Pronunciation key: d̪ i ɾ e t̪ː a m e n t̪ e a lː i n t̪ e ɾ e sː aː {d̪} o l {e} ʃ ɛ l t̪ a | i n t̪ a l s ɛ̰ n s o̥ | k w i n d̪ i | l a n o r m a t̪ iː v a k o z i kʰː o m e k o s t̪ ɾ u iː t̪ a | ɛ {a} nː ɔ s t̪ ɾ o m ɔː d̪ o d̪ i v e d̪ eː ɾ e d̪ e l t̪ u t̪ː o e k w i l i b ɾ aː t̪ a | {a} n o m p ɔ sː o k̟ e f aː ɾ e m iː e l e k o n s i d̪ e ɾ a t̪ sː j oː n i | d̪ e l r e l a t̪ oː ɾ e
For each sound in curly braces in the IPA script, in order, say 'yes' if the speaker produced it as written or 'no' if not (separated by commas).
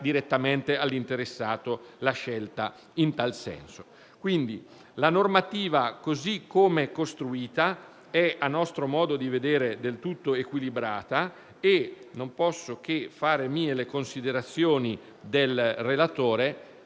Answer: no, no, yes, no